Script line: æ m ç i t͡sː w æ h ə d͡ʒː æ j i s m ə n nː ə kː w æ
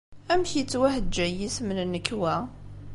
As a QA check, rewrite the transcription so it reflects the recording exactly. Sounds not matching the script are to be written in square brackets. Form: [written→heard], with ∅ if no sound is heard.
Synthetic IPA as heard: æ m ç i t͡sː w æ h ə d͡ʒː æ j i s m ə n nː ə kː w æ